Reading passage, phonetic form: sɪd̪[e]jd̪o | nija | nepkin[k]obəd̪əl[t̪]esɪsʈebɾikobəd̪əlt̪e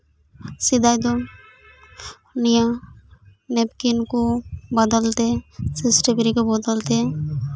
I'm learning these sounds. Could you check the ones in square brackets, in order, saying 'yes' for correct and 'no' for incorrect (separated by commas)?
no, yes, yes